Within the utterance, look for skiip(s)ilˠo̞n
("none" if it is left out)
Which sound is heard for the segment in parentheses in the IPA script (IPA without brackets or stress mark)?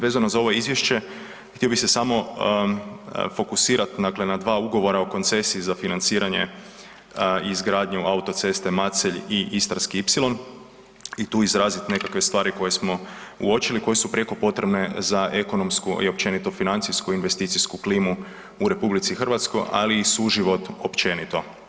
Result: s